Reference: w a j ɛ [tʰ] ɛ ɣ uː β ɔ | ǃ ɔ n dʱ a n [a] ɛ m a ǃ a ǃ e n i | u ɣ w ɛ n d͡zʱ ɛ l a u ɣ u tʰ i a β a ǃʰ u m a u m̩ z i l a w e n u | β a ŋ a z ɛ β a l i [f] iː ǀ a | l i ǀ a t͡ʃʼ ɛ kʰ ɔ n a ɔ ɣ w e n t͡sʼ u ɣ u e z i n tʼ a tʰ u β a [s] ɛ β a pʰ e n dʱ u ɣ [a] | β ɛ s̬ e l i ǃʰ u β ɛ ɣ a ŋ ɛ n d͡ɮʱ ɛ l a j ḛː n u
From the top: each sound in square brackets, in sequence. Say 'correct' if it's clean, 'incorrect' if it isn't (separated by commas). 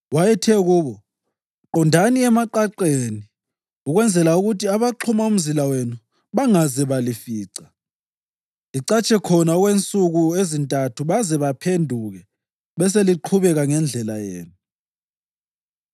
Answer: correct, incorrect, correct, incorrect, incorrect